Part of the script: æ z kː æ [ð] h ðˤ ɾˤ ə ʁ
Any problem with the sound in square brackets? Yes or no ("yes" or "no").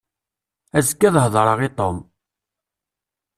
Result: no